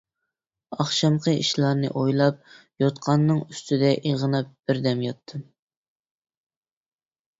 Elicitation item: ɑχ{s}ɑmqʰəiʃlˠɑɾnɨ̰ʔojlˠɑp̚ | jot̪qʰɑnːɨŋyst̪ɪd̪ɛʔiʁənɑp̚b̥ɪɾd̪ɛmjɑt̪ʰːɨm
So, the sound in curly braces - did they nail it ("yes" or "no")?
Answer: no